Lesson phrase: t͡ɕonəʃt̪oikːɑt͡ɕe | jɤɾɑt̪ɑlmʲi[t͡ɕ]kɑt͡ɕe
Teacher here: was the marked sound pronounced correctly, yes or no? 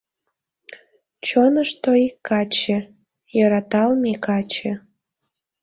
no